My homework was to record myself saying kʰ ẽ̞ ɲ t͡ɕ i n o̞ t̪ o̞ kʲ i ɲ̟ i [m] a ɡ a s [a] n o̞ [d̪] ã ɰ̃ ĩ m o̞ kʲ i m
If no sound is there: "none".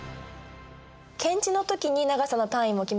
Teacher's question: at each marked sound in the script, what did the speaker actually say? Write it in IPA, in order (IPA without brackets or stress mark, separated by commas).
n, a, t̪